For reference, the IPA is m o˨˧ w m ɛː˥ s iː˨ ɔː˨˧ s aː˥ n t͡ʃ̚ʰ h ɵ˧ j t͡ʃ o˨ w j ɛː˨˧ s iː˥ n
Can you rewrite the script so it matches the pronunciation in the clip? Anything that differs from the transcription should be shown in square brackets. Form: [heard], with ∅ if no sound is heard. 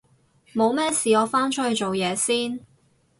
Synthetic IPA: m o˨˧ w m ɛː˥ s iː˨ ɔː˨˧ [f] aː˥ n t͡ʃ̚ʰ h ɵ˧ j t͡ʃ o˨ w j ɛː˨˧ s iː˥ n